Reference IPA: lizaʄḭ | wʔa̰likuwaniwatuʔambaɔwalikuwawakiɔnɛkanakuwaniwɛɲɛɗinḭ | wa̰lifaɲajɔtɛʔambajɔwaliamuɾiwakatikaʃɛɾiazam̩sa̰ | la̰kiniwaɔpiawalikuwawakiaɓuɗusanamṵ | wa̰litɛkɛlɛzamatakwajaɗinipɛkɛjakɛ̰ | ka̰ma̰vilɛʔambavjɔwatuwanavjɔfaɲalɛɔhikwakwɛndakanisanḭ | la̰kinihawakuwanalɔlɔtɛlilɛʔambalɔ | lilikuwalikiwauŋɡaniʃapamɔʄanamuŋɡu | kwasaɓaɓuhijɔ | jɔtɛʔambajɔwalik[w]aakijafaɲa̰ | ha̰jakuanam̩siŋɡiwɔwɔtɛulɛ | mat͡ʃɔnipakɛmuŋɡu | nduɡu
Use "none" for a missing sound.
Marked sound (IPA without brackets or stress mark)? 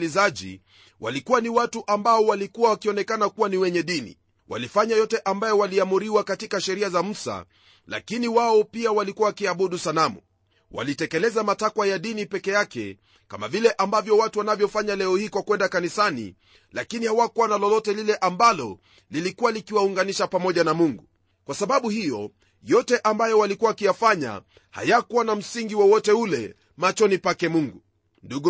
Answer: u